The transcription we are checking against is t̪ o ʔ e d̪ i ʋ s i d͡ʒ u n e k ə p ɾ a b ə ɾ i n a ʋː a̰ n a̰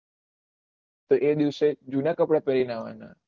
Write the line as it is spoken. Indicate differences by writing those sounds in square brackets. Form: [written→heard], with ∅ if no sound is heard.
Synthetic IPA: t̪ o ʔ e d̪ i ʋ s [i→e] d͡ʒ u n [e→a] k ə p [ɾ→ɽ] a [b→p] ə ɾ i n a [ʋː→ʋ] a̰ n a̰